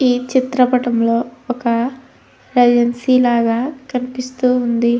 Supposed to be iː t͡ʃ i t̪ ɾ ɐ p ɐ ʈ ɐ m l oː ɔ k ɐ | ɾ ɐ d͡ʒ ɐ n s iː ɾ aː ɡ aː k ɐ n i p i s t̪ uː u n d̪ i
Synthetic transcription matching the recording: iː t͡ʃ i t̪ ɾ ɐ p ɐ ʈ ɐ m l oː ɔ k ɐ | ɾ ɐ d͡ʒ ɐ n s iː l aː ɡ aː k ɐ n i p i s t̪ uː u n d̪ i